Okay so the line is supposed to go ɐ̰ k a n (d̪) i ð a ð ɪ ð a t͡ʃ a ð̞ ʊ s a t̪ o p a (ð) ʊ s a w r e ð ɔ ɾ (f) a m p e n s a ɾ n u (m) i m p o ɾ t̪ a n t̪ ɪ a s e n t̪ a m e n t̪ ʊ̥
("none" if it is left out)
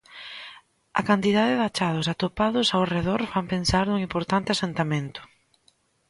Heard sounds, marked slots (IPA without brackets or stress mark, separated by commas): t̪, ð, f, ŋ